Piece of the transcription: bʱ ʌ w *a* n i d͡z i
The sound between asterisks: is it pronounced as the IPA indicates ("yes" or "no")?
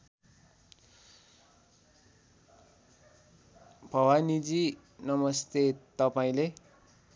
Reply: yes